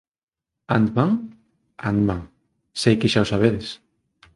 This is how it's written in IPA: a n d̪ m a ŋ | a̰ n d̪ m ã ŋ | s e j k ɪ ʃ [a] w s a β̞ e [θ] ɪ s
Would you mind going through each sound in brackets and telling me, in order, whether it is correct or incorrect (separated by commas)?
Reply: correct, incorrect